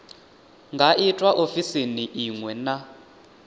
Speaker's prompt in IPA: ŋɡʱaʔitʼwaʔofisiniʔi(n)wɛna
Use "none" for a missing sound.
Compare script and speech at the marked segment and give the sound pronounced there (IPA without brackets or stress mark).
ŋ